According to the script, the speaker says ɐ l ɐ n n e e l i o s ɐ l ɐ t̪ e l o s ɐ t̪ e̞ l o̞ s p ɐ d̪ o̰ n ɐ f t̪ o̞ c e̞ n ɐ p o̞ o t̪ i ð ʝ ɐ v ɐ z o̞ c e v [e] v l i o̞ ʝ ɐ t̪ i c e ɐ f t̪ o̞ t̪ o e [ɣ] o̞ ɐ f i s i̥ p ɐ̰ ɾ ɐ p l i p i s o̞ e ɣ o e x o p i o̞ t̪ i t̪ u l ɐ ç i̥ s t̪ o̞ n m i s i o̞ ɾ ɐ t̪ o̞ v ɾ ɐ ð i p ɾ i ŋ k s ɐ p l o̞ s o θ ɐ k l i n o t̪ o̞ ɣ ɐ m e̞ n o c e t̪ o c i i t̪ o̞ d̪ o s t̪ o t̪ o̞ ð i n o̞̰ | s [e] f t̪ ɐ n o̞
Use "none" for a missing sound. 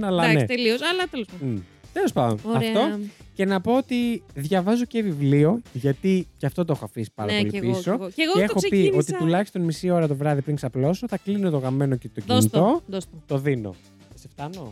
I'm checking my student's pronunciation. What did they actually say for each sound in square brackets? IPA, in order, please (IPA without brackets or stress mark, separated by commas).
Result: i, x, e